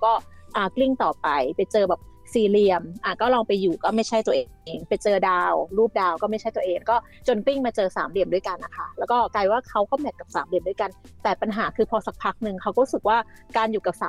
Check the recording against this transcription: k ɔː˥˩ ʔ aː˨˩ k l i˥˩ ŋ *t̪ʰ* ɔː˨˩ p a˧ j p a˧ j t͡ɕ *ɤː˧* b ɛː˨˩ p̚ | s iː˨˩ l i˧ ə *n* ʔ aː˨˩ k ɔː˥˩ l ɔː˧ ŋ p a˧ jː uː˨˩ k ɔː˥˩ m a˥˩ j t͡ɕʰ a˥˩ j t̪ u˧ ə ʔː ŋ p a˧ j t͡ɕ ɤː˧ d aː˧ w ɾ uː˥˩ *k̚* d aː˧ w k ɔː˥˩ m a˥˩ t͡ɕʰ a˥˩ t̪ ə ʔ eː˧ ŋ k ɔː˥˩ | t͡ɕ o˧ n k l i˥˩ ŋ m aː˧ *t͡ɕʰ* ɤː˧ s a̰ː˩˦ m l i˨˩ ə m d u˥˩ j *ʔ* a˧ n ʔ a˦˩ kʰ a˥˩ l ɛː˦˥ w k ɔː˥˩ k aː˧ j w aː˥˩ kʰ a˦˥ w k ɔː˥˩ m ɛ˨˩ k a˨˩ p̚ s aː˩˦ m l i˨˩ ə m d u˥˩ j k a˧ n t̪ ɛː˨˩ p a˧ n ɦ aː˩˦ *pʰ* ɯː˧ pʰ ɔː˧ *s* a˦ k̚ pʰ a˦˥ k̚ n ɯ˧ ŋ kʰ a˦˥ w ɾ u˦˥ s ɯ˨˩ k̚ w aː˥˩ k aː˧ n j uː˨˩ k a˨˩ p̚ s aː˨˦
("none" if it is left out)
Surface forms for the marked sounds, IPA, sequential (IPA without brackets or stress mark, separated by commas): t̪, ɤː˧, m, p̚, t͡ɕ, k, kʰ, s